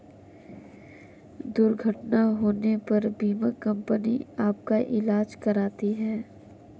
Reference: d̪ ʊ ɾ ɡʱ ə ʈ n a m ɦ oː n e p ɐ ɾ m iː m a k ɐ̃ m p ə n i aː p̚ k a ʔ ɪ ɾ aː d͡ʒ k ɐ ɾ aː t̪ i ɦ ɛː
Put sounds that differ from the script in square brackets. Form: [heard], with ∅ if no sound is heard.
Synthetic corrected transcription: d̪ ʊ ɾ ɡʱ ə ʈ n a [∅] ɦ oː n e p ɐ ɾ [b] iː m a k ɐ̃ m p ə n i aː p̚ k a ʔ ɪ [l] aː d͡ʒ k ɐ ɾ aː t̪ i ɦ ɛː